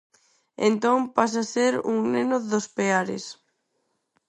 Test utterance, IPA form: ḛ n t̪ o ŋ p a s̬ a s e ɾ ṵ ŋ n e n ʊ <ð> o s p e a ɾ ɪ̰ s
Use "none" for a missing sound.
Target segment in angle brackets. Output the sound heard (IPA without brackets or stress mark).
ð